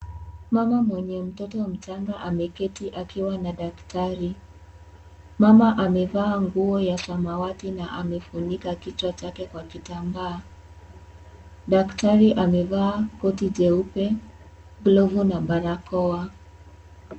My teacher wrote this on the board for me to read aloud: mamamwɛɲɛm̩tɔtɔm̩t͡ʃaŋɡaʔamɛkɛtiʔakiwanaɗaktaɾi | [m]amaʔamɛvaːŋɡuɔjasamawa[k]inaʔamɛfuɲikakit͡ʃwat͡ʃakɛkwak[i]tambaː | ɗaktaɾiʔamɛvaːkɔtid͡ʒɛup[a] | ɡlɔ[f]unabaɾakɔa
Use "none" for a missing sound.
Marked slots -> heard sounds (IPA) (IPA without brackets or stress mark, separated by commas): m, t, i, ɛ, v